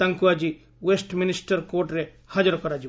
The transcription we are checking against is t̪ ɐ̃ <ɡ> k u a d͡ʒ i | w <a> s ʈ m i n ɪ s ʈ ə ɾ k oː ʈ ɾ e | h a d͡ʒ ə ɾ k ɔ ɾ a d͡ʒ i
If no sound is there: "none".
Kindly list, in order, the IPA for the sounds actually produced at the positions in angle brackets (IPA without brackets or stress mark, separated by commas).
ŋ, e